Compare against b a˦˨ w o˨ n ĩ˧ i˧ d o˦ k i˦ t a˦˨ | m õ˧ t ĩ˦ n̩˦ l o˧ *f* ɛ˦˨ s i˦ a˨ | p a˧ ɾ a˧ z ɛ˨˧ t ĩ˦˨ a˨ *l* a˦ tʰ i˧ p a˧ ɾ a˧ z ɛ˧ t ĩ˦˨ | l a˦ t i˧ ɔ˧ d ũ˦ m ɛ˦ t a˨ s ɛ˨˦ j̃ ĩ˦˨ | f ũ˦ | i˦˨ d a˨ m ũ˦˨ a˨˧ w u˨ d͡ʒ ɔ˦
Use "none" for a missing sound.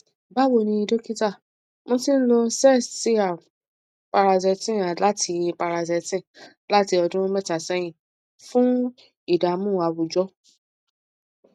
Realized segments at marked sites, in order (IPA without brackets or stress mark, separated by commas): s, l